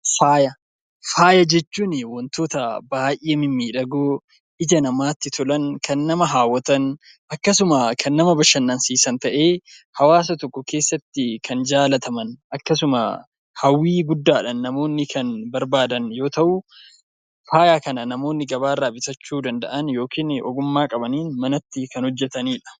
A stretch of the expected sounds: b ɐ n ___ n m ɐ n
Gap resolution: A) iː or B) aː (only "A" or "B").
A